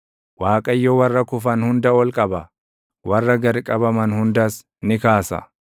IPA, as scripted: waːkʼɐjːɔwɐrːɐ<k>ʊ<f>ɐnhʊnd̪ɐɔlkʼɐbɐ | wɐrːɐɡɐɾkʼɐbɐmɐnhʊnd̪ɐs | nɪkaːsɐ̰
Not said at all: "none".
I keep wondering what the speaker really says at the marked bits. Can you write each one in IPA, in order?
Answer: k, f

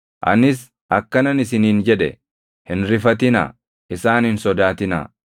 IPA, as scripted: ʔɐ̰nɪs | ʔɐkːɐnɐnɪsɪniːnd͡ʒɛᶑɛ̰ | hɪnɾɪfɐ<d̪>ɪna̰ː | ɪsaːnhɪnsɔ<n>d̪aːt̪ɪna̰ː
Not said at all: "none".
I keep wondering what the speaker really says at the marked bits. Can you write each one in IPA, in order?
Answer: t̪, none

